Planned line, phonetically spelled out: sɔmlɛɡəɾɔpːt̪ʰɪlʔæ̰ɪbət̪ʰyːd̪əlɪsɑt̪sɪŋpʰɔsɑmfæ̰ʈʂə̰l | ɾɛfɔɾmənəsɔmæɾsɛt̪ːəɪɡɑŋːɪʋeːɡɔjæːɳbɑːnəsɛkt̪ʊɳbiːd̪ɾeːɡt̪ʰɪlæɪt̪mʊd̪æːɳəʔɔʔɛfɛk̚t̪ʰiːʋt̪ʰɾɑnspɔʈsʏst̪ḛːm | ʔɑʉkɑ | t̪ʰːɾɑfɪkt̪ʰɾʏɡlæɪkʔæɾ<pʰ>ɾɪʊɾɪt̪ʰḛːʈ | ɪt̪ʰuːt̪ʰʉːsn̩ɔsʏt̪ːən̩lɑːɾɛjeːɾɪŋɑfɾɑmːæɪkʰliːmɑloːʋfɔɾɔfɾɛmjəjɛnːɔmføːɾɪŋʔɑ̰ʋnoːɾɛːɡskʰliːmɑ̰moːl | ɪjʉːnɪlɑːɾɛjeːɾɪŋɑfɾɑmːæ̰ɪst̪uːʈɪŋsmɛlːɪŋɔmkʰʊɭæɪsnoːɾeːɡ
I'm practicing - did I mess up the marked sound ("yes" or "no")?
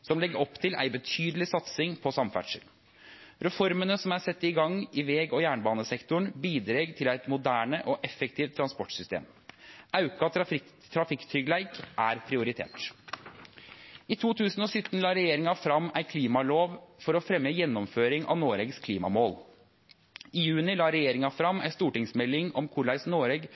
no